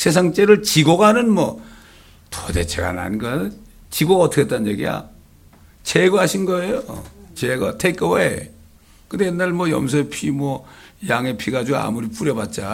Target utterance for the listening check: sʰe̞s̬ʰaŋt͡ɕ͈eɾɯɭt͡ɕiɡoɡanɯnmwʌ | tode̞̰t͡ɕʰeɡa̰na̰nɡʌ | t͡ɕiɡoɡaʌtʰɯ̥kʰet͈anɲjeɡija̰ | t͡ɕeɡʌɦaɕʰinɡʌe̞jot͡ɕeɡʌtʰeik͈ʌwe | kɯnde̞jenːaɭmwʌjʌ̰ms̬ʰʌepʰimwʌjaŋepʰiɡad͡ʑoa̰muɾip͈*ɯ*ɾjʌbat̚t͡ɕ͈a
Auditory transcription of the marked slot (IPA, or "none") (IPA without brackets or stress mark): u